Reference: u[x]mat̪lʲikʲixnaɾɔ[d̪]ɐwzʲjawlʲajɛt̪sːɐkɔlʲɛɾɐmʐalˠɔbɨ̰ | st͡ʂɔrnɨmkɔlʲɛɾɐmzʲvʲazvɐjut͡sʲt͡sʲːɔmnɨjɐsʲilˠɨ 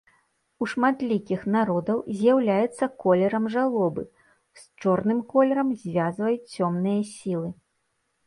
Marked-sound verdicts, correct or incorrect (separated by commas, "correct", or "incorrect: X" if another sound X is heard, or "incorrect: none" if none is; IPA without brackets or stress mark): incorrect: ʂ, correct